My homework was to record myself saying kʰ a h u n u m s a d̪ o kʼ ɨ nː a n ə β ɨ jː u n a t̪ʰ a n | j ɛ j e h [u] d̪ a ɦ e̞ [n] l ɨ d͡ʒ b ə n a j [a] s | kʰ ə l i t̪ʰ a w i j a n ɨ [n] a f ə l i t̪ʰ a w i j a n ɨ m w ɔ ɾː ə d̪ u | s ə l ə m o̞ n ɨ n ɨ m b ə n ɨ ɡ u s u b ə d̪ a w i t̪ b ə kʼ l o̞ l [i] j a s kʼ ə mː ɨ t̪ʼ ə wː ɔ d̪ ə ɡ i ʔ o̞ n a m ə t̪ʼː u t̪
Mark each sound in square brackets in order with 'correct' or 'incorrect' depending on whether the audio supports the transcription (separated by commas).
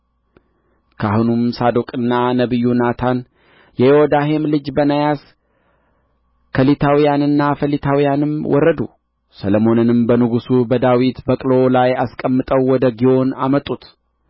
incorrect, incorrect, correct, incorrect, incorrect